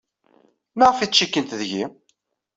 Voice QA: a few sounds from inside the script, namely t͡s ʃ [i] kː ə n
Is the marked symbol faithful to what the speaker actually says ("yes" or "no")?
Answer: yes